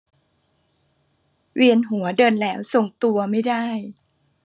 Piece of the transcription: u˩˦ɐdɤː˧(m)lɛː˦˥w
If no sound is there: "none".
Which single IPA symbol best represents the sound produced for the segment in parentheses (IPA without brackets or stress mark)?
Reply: n